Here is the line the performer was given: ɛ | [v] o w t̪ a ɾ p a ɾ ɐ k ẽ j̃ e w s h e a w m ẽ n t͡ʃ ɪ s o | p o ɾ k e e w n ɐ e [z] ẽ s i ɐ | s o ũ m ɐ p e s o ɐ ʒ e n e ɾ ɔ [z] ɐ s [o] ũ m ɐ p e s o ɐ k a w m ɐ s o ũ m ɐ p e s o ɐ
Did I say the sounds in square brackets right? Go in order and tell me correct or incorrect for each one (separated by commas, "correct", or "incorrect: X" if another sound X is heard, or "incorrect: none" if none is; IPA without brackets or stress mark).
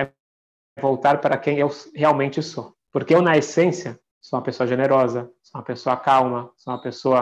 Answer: correct, incorrect: s, correct, correct